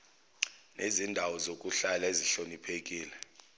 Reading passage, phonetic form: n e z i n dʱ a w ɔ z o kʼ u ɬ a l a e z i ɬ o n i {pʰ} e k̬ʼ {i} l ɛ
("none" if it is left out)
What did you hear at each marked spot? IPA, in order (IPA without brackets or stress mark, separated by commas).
pʰ, iː